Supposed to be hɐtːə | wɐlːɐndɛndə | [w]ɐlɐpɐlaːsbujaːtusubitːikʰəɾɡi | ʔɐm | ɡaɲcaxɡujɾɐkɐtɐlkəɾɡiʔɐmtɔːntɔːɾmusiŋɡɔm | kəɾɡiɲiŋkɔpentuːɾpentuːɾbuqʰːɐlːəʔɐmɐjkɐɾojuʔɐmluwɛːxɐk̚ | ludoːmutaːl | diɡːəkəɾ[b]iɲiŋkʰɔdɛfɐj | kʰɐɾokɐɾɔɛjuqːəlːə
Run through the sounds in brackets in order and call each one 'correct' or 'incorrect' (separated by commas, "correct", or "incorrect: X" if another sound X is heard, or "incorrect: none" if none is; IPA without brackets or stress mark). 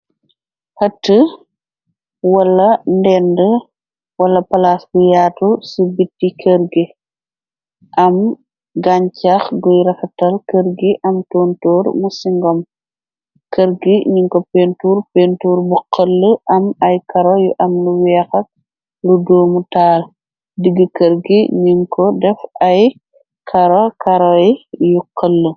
correct, incorrect: ɡ